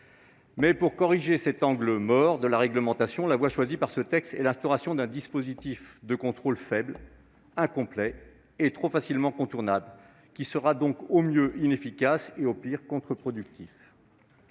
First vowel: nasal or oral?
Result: oral